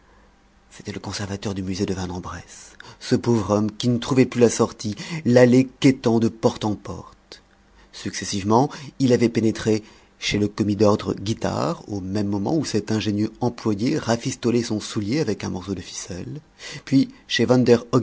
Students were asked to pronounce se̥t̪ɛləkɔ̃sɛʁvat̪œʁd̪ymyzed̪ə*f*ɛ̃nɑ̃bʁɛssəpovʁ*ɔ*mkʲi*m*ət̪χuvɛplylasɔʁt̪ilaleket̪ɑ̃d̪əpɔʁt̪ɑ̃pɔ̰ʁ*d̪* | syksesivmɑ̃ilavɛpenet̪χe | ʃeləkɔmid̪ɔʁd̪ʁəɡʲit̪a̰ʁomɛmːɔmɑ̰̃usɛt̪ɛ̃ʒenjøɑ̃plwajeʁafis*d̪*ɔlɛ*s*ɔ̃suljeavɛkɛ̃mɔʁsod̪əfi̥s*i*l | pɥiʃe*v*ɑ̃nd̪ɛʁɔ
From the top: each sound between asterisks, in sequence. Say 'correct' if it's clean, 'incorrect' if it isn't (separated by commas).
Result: incorrect, correct, incorrect, incorrect, incorrect, correct, incorrect, correct